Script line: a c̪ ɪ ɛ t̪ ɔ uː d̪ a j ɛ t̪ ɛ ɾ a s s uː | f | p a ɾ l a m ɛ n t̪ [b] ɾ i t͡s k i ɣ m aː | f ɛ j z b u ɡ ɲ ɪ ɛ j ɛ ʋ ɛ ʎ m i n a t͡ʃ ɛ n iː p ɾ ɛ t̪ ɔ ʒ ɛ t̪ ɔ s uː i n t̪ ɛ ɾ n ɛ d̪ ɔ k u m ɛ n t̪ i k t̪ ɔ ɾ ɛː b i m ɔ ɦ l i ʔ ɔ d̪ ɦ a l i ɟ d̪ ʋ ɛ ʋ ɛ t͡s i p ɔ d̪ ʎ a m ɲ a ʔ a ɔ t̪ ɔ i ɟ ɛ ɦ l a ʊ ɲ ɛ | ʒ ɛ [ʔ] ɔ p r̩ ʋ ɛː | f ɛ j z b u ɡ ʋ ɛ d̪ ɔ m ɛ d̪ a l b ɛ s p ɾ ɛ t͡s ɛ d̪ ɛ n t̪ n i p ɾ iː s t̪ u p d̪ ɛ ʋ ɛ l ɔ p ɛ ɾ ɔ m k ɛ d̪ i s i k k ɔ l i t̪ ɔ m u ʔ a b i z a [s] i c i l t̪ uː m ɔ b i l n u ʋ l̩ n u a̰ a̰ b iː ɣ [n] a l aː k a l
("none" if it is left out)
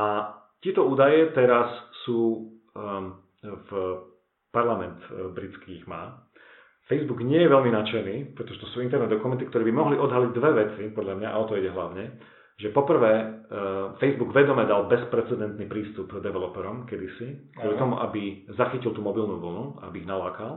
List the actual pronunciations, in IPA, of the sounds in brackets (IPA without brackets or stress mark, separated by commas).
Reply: b, p, x, n